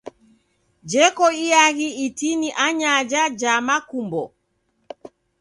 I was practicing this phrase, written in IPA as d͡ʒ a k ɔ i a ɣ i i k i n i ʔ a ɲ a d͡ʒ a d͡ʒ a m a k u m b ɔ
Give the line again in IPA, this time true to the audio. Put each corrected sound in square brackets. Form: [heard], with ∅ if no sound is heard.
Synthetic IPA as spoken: d͡ʒ [ɛ] k ɔ i a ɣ i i [t] i n i ʔ a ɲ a d͡ʒ a d͡ʒ a m a k u m b ɔ

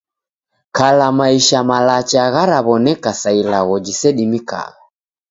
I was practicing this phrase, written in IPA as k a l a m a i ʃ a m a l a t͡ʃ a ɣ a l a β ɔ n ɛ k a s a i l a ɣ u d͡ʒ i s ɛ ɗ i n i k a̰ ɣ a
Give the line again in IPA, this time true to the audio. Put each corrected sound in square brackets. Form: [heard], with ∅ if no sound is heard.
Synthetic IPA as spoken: k a l a m a i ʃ a m a l a t͡ʃ a ɣ a [ɾ] a β ɔ n ɛ k a s a i l a ɣ [ɔ] d͡ʒ i s ɛ ɗ i [m] i k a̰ ɣ a

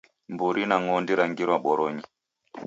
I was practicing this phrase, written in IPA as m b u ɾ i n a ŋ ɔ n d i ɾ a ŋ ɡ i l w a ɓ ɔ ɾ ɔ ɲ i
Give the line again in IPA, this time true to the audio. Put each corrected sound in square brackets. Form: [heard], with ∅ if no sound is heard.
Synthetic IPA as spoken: m b u ɾ i n a ŋ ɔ n d i ɾ a ŋ ɡ i [ɾ] w a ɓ ɔ ɾ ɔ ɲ i

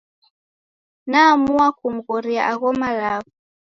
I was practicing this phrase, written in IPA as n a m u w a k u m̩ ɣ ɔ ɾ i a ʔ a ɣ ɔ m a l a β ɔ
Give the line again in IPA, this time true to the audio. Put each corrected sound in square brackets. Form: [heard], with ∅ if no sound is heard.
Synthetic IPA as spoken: n a m u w a k u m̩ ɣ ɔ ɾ i a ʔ a ɣ ɔ m a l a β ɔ

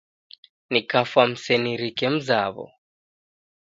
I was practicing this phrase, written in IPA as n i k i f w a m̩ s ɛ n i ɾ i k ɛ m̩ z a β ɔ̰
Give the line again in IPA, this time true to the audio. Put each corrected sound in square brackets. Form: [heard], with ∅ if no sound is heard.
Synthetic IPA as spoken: n i k [a] f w a m̩ s ɛ n i ɾ i k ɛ m̩ z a β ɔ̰

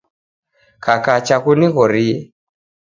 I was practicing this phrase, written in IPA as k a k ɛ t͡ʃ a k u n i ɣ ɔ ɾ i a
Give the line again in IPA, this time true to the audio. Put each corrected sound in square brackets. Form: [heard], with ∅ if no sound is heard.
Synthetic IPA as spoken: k a k [a] t͡ʃ a k u n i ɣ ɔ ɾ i [ɛ]

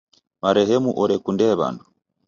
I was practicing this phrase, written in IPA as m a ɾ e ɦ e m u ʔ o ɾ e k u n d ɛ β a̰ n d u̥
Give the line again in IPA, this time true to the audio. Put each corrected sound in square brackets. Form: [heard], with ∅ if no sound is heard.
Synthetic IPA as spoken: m a ɾ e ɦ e m u ʔ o ɾ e k u n d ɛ β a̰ n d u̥

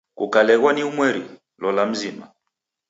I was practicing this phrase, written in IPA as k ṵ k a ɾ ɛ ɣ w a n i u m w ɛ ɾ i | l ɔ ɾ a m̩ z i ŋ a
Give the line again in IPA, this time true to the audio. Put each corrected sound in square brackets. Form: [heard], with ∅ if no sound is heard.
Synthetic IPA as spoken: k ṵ k a [l] ɛ ɣ w a n i u m w ɛ ɾ i | l ɔ [l] a m̩ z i [m] a

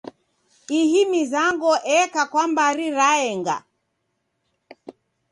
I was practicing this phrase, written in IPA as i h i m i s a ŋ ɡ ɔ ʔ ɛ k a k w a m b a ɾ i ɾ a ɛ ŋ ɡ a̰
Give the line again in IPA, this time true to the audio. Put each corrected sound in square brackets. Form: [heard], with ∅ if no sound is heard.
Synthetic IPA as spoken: i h i m i [z] a ŋ ɡ ɔ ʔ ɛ k a k w a m b a ɾ i ɾ a ɛ ŋ ɡ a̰

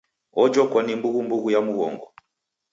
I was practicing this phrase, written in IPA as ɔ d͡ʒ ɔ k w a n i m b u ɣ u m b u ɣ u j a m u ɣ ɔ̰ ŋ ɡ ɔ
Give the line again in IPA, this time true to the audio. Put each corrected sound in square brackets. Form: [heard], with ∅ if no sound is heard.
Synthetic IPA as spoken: ɔ d͡ʒ ɔ k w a n i m b u ɣ u m b u ɣ u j a m u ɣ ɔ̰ ŋ ɡ ɔ

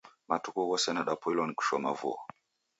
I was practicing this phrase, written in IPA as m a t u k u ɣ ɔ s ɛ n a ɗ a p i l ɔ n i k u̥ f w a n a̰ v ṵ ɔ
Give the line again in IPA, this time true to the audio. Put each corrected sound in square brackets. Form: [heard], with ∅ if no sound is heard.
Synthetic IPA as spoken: m a t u k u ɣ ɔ s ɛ n a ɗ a p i l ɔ n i k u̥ [ʃ] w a [m] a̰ v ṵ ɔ

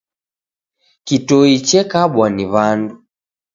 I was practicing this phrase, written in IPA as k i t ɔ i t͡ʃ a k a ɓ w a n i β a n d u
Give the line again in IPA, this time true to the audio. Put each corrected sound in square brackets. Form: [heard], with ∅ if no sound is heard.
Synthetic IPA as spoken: k i t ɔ i t͡ʃ [ɛ] k a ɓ w a n i β a n d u

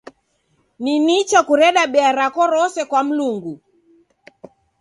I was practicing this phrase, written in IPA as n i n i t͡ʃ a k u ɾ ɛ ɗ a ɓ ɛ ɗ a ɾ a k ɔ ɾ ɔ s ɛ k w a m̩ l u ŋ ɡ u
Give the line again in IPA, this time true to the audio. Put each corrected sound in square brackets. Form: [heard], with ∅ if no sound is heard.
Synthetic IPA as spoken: n i n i t͡ʃ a k u ɾ ɛ ɗ a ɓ ɛ [∅] a ɾ a k ɔ ɾ ɔ s ɛ k w a m̩ l u ŋ ɡ u

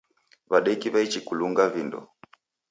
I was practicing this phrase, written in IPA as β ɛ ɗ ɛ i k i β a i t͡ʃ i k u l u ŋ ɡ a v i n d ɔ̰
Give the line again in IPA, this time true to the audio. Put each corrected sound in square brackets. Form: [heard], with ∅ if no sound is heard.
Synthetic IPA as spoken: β [a] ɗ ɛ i k i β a i t͡ʃ i k u l u ŋ ɡ a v i n d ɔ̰

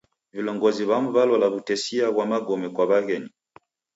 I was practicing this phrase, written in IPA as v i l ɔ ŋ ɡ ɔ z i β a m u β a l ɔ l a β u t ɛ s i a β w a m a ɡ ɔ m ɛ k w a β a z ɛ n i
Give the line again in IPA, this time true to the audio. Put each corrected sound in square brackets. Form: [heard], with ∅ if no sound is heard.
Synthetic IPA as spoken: v i l ɔ ŋ ɡ ɔ z i β a m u β a l ɔ l a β u t ɛ s i a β w a m a ɡ ɔ m ɛ k w a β a [ɣ] ɛ n i

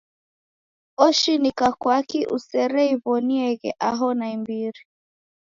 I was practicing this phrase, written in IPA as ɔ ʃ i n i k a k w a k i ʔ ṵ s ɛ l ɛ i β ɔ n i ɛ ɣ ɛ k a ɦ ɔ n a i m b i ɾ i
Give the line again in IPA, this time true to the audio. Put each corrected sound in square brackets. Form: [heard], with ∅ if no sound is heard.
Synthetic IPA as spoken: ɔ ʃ i n i k a k w a k i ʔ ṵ s ɛ [ɾ] ɛ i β ɔ n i ɛ ɣ ɛ [ʔ] a ɦ ɔ n a i m b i ɾ i

